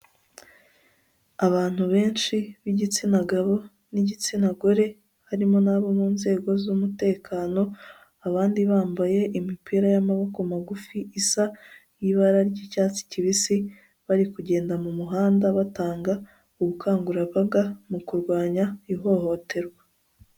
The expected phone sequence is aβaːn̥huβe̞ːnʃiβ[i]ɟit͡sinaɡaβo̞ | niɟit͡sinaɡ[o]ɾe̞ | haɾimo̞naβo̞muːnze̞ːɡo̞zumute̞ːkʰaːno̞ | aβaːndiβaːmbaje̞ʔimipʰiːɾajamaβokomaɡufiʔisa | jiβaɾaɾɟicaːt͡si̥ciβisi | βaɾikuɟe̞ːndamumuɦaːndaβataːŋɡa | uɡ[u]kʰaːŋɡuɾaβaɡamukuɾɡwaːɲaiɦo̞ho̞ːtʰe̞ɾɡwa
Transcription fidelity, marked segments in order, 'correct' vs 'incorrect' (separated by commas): correct, correct, correct